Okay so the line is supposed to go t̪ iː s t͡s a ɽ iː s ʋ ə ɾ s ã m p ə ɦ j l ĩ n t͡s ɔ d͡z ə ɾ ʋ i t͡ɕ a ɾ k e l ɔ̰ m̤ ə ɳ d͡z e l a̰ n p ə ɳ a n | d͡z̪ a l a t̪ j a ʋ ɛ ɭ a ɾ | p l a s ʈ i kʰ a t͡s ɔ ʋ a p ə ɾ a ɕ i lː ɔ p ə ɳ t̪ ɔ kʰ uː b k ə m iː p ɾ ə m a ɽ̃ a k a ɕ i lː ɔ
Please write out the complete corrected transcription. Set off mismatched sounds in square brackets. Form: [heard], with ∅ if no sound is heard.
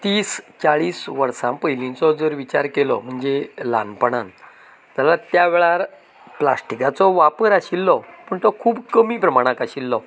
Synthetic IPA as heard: t̪ iː s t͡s a [ɭ] iː s ʋ ə ɾ s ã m p ə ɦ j l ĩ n t͡s ɔ d͡z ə ɾ ʋ i t͡ɕ a ɾ k e l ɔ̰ m̤ ə ɳ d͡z e l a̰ n p ə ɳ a n | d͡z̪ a l a t̪ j a ʋ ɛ ɭ a ɾ | p l a s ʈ i [k] a t͡s ɔ ʋ a p ə ɾ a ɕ i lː ɔ p ə ɳ t̪ ɔ kʰ uː b k ə m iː p ɾ ə m a ɽ̃ a k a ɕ i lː ɔ